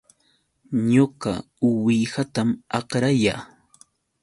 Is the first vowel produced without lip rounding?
no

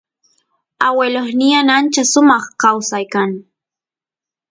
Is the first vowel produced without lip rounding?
yes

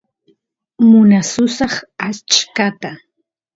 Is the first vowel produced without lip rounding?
no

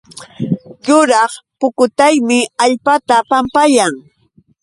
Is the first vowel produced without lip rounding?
no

